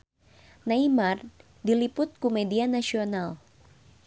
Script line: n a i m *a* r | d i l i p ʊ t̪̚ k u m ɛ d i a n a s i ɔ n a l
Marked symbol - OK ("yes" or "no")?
yes